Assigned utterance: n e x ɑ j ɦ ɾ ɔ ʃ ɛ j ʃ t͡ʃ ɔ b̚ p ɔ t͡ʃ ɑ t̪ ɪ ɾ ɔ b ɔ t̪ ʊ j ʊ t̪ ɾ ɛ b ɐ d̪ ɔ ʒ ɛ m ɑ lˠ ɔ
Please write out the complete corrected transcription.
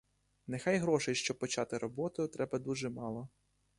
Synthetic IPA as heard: n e x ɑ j ɦ ɾ ɔ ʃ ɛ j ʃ t͡ʃ ɔ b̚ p ɔ t͡ʃ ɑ t̪ ɪ ɾ ɔ b ɔ t̪ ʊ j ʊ t̪ ɾ ɛ b ɐ d̪ u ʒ ɛ m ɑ lˠ ɔ